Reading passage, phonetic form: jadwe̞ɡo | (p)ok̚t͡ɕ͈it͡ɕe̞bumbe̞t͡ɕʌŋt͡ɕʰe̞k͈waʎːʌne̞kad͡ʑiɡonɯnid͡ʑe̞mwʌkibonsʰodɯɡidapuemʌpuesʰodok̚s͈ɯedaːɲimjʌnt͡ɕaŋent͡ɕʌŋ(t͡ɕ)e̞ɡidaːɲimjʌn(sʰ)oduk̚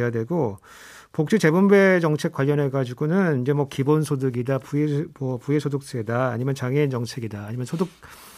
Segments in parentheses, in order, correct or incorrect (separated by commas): correct, incorrect, correct